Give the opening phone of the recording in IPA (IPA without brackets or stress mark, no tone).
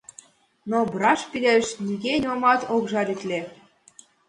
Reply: n